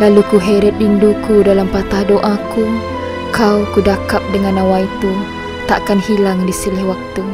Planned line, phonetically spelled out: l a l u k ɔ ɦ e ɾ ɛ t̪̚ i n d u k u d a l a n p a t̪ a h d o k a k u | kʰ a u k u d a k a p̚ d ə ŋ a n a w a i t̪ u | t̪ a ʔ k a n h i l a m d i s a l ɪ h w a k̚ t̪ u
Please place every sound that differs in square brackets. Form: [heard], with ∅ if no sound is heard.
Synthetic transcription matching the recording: l a l u k [u] ɦ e ɾ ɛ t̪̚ i n d u k u d a l a [m] p a t̪ a h d o [ʔ] a k u | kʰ a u k u d a k a p̚ d ə ŋ a n a w a i t̪ u | t̪ a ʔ k a n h i l a [ŋ] d i s [i] l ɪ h w a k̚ t̪ u